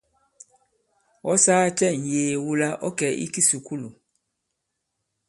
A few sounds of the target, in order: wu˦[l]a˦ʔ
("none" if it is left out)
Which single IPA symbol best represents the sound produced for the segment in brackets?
l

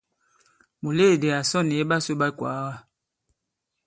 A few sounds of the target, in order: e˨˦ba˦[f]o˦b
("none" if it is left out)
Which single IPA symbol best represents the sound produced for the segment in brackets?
s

